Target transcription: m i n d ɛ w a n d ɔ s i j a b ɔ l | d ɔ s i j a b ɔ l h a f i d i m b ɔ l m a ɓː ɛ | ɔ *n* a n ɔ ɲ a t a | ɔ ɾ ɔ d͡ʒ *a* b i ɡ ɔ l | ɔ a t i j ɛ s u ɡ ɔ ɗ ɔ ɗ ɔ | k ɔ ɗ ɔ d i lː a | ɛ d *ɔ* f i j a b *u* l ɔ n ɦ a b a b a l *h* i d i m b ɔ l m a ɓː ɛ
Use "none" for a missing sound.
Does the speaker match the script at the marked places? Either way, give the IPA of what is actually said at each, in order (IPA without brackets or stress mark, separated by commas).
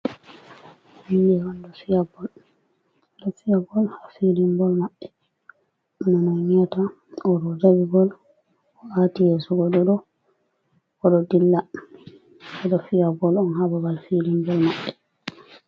n, a, ɔ, ɔ, f